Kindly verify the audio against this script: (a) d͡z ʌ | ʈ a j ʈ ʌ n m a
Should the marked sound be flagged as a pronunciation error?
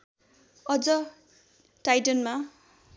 yes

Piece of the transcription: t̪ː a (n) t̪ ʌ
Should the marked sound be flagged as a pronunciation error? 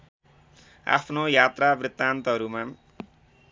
no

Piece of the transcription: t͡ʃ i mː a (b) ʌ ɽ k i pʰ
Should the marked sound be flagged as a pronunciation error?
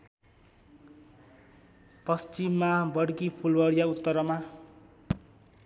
no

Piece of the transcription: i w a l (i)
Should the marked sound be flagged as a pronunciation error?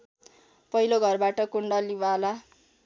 yes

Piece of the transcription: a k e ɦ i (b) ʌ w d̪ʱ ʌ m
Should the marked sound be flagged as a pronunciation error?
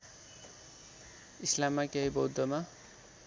no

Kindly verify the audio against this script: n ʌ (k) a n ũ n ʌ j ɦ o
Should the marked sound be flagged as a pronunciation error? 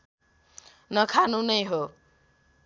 yes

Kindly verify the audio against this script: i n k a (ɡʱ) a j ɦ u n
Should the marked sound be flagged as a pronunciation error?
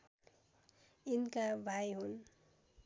yes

